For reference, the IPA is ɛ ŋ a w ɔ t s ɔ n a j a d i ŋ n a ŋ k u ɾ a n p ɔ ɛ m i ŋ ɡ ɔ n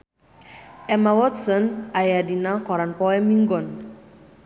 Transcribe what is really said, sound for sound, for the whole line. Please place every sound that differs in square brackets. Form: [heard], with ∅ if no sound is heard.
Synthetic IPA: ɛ [m] a w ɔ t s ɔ n a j a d i [∅] n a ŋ k [ɔ] ɾ a n p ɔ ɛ m i ŋ ɡ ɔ n